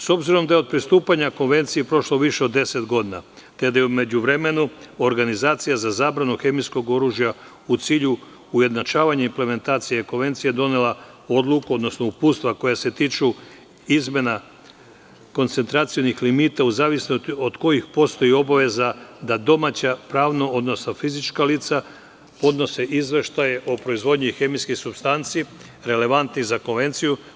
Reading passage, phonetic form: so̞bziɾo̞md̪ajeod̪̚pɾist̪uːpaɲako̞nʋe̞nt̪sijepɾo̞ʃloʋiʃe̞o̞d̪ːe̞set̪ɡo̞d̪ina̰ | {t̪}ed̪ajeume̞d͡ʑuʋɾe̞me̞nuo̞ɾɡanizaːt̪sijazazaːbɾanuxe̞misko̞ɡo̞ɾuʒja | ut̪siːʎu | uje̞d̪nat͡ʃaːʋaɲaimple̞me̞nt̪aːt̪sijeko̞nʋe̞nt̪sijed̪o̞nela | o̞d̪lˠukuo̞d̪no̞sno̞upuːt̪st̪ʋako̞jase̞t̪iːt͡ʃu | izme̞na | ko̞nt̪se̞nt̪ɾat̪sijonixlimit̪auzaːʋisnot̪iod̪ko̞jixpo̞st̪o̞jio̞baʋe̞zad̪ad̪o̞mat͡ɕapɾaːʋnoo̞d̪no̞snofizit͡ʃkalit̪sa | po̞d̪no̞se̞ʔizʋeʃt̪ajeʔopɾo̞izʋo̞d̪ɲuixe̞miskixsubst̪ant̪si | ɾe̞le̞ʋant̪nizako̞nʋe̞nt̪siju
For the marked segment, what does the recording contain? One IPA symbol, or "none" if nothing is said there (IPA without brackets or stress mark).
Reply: t̪